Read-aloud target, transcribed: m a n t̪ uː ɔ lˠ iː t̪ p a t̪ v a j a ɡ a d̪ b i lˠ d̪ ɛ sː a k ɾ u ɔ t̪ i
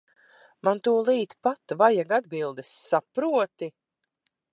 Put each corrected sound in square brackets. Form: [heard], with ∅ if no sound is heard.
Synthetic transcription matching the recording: m a n t̪ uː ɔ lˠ iː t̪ p a t̪ v a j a ɡ a d̪ b i lˠ d̪ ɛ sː a [p] ɾ u ɔ t̪ i